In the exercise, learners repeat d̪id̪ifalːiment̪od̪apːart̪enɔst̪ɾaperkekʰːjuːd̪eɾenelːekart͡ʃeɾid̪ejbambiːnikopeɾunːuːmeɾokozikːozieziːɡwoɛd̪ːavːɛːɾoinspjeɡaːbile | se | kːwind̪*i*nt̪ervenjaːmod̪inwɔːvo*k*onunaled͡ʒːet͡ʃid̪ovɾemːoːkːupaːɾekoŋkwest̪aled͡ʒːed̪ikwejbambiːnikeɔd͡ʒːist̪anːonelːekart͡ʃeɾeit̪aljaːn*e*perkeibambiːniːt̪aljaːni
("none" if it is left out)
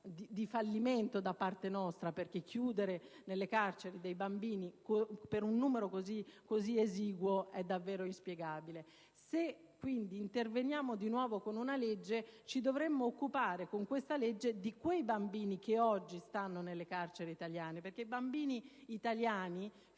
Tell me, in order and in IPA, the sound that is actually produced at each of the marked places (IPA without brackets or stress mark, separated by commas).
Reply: iː, k, e